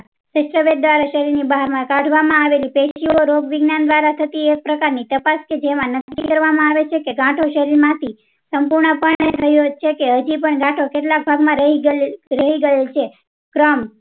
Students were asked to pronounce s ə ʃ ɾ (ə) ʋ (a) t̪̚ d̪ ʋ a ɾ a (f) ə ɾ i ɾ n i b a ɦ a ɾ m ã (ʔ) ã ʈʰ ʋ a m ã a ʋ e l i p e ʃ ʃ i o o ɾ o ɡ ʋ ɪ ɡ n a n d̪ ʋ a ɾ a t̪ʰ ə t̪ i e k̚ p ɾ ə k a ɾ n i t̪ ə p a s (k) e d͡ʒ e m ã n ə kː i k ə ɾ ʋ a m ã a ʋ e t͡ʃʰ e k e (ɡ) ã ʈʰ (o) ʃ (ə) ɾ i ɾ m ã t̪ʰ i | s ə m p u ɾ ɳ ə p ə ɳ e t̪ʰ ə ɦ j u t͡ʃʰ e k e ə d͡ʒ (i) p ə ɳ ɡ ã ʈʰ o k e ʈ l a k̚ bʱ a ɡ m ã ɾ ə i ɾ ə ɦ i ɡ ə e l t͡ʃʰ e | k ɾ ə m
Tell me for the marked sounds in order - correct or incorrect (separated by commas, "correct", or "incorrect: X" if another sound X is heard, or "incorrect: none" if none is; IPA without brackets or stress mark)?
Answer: correct, incorrect: e, incorrect: ʃ, incorrect: k, correct, correct, correct, correct, correct